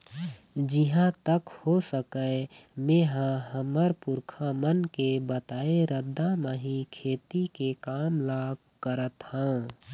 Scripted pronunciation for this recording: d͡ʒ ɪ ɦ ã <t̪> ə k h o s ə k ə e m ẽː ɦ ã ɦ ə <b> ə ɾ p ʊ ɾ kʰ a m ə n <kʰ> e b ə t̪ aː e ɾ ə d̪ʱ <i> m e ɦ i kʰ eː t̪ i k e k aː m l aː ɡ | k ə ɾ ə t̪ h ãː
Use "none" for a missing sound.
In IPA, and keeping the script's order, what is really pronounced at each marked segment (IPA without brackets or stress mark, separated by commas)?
t̪, m, k, a